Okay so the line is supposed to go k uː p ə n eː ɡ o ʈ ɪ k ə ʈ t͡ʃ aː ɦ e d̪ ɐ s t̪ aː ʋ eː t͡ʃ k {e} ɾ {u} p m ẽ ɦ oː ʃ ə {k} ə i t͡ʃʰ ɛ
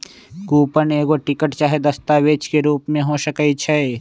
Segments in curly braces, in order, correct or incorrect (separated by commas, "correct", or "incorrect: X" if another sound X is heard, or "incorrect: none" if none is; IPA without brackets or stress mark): correct, incorrect: uː, correct